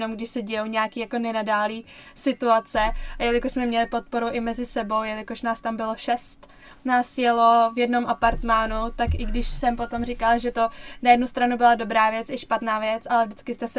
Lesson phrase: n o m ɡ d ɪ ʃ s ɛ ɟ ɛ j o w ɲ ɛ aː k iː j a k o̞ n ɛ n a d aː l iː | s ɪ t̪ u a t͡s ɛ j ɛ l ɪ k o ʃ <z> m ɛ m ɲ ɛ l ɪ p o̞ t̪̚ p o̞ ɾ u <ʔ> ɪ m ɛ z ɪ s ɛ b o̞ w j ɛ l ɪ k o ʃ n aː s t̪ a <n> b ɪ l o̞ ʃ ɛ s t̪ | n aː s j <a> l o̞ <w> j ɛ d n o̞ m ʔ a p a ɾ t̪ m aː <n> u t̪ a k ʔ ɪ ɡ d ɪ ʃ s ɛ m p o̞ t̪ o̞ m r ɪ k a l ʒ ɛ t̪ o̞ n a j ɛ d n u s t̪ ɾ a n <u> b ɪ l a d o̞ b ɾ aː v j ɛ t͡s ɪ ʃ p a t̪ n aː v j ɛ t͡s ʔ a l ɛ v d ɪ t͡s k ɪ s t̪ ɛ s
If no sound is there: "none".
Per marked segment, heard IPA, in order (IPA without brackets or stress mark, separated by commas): s, ʔ, m, ɛ, v, n, u